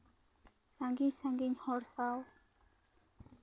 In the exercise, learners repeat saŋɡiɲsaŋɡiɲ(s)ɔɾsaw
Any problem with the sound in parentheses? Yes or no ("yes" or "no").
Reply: yes